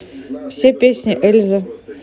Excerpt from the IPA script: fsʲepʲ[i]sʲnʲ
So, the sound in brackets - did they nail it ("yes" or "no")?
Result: no